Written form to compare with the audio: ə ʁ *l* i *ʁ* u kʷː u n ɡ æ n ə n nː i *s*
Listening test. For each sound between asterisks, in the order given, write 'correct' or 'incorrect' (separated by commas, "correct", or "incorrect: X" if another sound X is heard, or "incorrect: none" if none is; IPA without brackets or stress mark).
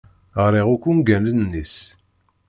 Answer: incorrect: ɾ, correct, correct